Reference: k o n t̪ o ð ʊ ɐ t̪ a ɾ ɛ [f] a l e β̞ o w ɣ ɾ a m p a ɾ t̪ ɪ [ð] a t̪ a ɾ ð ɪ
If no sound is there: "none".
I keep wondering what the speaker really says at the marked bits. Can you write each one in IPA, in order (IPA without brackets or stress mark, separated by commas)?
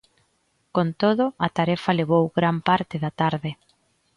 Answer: f, ð